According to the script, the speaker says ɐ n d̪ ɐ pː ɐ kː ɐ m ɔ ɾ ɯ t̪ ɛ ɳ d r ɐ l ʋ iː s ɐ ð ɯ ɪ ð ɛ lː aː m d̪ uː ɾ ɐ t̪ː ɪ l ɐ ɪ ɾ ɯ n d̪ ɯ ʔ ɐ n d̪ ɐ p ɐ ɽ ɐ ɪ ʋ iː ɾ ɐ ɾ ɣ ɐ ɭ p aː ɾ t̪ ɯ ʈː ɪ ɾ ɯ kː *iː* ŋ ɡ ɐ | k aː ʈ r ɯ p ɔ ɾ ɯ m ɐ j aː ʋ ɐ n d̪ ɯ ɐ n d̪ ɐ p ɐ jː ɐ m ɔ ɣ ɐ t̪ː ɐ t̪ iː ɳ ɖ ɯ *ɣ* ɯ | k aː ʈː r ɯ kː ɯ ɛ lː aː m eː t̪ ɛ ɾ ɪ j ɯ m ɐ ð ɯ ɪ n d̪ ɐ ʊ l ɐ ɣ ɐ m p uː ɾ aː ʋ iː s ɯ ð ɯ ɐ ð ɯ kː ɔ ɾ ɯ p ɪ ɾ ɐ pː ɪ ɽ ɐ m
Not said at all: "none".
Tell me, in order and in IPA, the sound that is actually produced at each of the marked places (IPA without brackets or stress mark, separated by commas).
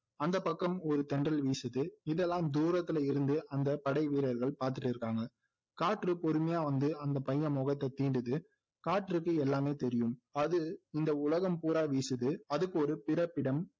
aː, ð